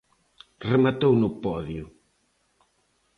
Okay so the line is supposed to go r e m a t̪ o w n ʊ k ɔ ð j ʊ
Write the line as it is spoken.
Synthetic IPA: r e m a t̪ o w n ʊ p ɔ ð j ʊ